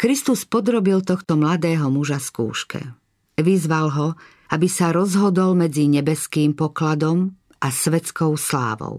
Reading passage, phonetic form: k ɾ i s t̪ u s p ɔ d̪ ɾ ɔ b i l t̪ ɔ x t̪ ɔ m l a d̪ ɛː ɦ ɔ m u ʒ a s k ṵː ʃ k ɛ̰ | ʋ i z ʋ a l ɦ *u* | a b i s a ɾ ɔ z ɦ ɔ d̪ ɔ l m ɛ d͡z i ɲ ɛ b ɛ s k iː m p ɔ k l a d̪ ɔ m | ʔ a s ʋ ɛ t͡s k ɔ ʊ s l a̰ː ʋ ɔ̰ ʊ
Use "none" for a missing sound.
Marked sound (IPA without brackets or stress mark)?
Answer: ɔ